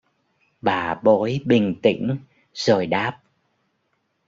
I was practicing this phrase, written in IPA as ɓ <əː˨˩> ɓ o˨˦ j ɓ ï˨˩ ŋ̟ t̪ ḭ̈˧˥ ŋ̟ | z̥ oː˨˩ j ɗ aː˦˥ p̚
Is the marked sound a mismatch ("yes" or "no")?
yes